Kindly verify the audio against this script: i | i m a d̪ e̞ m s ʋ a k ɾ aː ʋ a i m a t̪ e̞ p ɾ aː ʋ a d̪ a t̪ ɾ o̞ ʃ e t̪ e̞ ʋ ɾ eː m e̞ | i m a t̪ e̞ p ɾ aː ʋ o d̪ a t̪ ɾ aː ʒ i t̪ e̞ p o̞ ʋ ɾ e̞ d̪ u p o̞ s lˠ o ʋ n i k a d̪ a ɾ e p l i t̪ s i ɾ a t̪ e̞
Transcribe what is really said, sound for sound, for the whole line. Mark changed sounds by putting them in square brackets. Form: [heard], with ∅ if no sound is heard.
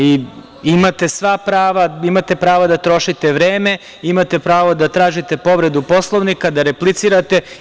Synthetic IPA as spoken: i | i m a [t̪] e̞ [∅] s ʋ a [p] ɾ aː ʋ a i m a t̪ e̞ p ɾ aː ʋ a d̪ a t̪ ɾ o̞ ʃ [i] t̪ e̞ ʋ ɾ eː m e̞ | i m a t̪ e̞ p ɾ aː ʋ o d̪ a t̪ ɾ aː ʒ i t̪ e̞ p o̞ ʋ ɾ e̞ d̪ u p o̞ s lˠ o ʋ n i k a d̪ a ɾ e p l i t̪ s i ɾ a t̪ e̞